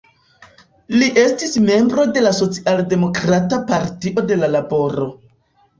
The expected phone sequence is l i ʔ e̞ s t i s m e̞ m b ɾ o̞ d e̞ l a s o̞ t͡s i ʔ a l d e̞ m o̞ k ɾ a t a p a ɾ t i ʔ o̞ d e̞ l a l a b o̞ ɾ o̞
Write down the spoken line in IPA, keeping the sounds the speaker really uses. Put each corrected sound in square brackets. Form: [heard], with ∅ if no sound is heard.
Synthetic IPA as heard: l i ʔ e̞ s t i s m e̞ m b ɾ o̞ d e̞ l a s o̞ t͡s i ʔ a l d e̞ m o̞ k ɾ a t a p a ɾ t i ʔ o̞ d e̞ l a l a b o̞ ɾ o̞